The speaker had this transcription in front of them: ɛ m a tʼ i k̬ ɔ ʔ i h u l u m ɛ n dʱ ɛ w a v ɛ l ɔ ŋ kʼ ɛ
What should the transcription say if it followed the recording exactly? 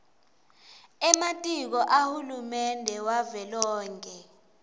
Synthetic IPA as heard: ɛ m a tʼ i k̬ ɔ ʔ a h u l u m ɛ n dʱ ɛ w a v ɛ l ɔː ŋ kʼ ɛ